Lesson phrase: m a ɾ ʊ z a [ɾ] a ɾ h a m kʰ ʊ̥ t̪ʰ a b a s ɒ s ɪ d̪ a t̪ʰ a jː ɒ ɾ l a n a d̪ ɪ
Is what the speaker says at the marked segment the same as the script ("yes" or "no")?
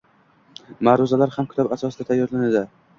no